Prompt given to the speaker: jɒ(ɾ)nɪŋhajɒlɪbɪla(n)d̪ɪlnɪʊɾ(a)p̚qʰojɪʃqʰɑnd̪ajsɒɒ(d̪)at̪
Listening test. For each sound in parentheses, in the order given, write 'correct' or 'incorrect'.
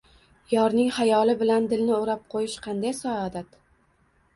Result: correct, correct, correct, correct

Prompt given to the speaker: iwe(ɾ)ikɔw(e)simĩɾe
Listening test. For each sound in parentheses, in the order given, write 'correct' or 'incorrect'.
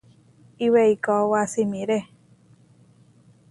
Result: incorrect: none, incorrect: a

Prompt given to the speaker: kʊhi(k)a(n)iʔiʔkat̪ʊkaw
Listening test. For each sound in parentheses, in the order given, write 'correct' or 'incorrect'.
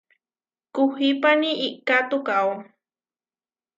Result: incorrect: p, correct

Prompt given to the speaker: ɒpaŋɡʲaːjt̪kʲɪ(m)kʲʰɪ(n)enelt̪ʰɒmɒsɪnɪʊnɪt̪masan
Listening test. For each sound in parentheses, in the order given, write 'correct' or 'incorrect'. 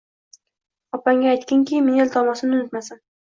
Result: incorrect: ŋ, incorrect: m

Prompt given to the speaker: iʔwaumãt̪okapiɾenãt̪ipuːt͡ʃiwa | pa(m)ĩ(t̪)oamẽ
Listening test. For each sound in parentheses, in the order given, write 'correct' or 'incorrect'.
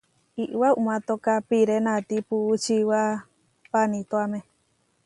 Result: incorrect: n, correct

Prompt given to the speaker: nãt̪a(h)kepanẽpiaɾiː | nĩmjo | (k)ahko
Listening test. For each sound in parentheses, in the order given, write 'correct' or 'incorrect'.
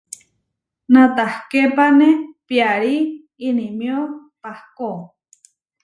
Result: correct, incorrect: p

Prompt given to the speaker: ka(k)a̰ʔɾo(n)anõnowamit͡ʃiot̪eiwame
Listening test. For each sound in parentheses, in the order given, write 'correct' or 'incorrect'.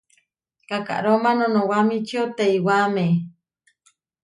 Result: correct, incorrect: m

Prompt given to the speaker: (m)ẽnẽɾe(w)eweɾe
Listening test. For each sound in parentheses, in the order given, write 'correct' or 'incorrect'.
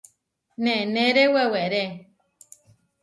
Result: incorrect: n, correct

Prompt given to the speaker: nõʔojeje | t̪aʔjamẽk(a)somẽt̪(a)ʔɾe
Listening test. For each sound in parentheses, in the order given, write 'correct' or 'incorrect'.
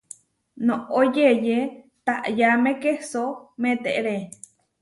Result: incorrect: e, incorrect: e

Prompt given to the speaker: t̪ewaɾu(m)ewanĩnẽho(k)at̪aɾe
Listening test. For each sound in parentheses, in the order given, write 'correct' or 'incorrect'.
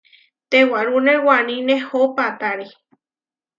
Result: incorrect: n, incorrect: p

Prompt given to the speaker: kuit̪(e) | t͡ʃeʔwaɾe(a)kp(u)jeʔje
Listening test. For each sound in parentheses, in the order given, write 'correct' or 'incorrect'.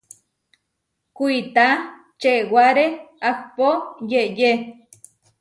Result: incorrect: a, correct, incorrect: o

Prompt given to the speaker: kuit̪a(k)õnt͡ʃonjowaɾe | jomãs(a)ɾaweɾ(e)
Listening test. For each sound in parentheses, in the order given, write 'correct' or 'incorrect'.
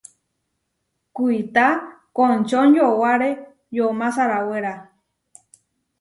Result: correct, correct, incorrect: a

